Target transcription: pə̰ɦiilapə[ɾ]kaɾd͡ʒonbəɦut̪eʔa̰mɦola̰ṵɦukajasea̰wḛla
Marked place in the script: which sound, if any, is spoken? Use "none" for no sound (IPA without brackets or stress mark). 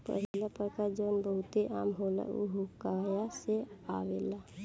ɾ